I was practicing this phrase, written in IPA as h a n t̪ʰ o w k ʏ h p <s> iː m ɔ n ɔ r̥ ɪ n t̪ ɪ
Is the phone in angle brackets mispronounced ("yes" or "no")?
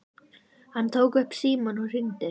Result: no